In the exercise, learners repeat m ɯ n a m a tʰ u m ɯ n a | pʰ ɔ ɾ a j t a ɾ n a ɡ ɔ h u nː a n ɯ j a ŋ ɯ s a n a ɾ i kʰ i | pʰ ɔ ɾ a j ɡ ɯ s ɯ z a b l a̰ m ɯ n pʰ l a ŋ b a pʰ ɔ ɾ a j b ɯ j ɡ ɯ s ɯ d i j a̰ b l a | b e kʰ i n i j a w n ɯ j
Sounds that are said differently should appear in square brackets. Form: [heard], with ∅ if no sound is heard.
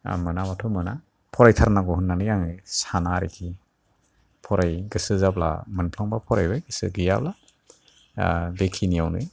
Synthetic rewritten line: m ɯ n a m a tʰ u m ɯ n a | pʰ ɔ ɾ a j [tʰ] a ɾ n a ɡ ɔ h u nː a n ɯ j a ŋ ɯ s a n a ɾ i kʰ i | pʰ ɔ ɾ a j ɡ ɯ s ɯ z a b l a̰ m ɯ n pʰ l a ŋ b a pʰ ɔ ɾ a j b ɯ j ɡ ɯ s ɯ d i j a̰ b l a | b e kʰ i n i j a w n ɯ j